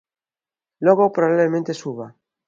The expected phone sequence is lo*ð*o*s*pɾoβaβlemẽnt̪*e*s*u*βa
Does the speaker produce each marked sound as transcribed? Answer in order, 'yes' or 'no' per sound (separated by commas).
no, no, yes, yes